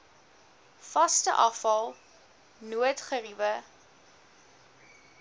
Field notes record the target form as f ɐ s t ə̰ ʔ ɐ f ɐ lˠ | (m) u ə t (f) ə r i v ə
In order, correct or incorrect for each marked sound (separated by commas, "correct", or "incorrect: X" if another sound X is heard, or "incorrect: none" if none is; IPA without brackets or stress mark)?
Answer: incorrect: n, incorrect: χ